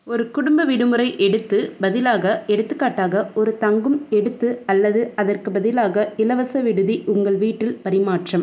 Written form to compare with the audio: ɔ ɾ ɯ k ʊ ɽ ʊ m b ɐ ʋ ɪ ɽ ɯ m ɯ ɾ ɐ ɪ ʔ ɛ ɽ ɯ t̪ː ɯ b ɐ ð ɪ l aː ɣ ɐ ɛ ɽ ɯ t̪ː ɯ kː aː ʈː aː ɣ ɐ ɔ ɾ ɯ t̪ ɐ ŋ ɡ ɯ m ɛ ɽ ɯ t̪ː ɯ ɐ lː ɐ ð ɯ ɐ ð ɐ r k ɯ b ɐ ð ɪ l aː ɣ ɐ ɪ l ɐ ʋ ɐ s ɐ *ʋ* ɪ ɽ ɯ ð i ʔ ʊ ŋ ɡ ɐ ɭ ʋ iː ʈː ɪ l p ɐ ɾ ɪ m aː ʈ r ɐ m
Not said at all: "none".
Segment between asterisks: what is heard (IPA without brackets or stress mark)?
ʋ